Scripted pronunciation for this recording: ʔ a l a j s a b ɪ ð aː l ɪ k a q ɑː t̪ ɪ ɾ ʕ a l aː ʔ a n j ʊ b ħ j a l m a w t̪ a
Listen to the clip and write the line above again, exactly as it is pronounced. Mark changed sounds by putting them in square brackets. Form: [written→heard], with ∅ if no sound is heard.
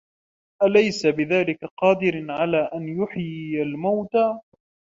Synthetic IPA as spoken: ʔ a l a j s a b ɪ ð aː l ɪ k a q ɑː [t̪→d̪] ɪ ɾ ʕ a l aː ʔ a n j ʊ [b→∅] ħ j a l m a w t̪ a